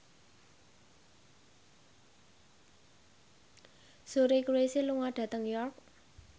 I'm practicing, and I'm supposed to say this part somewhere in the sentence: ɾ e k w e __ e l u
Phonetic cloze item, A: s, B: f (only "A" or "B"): A